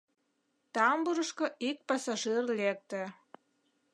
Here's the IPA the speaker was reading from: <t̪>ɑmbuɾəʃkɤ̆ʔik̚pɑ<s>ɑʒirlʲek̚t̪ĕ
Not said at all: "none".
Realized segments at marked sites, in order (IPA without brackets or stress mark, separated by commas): t̪, s